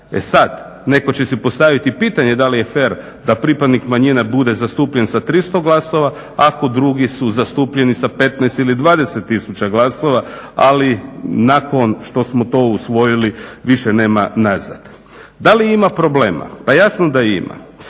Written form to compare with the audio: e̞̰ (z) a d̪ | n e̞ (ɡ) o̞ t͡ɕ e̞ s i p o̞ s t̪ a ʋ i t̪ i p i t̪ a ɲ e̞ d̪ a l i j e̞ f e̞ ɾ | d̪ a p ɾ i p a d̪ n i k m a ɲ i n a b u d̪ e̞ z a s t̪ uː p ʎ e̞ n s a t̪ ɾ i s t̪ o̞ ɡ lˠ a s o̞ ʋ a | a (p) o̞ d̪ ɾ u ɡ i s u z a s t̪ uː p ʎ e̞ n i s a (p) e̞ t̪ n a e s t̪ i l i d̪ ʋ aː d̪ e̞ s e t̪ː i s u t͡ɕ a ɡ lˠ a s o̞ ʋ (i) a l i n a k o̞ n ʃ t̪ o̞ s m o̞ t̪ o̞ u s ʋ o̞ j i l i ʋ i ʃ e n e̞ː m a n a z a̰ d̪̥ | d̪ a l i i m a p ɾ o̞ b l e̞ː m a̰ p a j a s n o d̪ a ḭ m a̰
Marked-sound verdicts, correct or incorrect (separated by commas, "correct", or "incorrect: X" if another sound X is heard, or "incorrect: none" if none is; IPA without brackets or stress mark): incorrect: s, incorrect: k, incorrect: k, correct, incorrect: a